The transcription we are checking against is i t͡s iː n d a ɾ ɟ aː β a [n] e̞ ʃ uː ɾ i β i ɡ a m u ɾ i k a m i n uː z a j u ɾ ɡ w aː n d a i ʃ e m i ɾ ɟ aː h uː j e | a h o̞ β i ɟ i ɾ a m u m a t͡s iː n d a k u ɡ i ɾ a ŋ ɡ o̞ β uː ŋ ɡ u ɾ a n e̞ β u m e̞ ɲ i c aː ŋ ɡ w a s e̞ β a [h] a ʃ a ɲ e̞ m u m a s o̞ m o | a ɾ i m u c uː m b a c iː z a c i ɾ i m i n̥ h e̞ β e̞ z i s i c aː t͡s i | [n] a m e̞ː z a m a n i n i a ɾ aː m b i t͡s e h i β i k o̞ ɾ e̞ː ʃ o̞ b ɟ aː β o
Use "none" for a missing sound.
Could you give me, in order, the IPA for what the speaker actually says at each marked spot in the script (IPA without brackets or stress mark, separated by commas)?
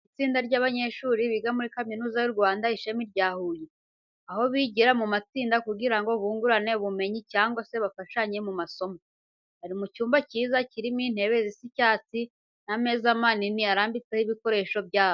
ɲ, f, n